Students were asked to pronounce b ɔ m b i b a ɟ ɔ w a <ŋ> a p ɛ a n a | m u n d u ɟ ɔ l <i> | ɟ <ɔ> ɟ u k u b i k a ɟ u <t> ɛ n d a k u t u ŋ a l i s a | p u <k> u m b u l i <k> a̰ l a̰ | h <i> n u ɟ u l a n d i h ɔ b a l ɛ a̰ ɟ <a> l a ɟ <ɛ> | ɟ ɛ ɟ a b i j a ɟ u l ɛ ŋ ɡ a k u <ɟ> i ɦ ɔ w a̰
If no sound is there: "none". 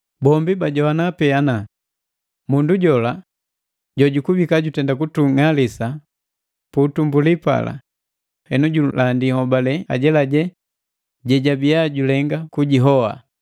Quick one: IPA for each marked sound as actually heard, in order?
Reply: n, a, ɔ, t, t, p, ɛ, ɛ, ɛ, ɟ

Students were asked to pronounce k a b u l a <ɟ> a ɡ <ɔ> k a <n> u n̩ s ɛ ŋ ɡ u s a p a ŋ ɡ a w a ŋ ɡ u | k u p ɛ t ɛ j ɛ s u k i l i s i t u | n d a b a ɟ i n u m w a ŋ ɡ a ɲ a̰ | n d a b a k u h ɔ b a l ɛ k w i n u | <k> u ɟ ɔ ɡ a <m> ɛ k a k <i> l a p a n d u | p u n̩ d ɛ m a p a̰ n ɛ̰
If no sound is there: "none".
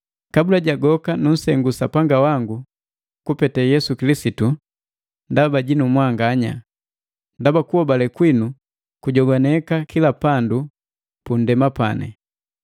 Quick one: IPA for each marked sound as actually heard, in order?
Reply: ɟ, ɔ, n, k, n, i

